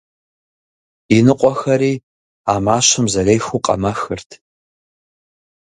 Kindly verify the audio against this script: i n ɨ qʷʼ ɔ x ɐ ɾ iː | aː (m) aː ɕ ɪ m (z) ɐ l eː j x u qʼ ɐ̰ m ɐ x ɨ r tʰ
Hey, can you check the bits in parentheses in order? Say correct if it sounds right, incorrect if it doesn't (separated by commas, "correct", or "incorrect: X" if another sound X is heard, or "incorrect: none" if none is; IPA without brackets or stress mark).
correct, correct